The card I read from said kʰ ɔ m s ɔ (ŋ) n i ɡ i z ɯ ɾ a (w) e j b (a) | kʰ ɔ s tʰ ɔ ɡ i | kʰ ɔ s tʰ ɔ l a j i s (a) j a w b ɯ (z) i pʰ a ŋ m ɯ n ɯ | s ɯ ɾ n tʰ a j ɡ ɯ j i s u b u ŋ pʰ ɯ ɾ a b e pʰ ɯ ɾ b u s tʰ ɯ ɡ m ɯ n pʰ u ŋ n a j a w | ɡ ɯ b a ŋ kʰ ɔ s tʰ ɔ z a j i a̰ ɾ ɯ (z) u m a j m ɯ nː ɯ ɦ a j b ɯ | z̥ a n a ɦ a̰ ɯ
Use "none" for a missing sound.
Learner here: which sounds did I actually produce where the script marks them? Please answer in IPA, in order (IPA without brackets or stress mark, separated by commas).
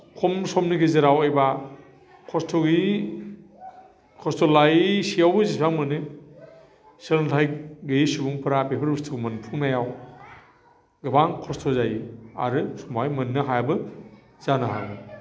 m, w, a, i, z, s